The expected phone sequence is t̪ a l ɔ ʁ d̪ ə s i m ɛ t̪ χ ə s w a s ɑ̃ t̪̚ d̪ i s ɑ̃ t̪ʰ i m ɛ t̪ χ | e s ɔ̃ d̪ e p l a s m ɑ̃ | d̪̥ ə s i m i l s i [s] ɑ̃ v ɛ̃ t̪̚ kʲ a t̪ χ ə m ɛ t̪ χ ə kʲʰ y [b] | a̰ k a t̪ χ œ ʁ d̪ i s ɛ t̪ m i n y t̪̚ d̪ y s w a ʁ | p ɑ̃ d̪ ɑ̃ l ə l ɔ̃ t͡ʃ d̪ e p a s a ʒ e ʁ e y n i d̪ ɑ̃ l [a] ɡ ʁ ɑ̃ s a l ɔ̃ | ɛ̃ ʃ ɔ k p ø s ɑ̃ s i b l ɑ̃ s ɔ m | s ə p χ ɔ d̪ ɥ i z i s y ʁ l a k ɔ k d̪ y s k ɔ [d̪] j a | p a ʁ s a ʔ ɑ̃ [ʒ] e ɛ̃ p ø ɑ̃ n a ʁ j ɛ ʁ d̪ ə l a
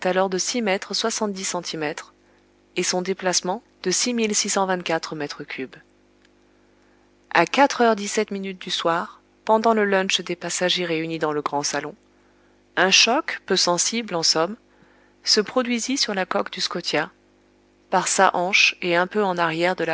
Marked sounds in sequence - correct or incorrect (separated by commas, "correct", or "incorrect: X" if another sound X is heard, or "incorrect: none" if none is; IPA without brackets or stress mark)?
correct, correct, incorrect: ə, incorrect: t̪, incorrect: ʃ